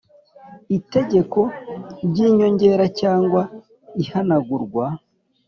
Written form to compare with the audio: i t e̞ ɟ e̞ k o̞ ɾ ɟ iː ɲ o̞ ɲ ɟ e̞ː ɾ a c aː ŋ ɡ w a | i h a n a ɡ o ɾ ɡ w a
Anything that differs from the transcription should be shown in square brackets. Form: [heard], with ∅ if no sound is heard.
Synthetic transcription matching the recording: i t e̞ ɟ e̞ k o̞ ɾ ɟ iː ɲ o̞ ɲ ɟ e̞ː ɾ a c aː ŋ ɡ w a | i h a n a ɡ [u] ɾ ɡ w a